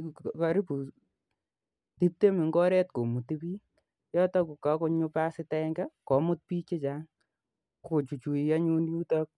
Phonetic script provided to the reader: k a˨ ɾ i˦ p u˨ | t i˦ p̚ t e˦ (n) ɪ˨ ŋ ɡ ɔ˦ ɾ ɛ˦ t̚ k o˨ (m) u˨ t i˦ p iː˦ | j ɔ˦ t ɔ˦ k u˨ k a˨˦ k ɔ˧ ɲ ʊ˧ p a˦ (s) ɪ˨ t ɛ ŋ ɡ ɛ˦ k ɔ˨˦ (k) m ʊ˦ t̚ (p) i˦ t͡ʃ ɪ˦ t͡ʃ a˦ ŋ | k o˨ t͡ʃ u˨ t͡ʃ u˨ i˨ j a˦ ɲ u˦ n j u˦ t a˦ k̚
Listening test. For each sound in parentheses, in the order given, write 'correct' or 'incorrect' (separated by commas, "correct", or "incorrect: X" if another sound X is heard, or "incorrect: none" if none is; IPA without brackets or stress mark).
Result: incorrect: m, correct, correct, incorrect: none, correct